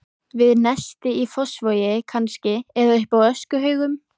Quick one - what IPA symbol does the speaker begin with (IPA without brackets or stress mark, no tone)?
v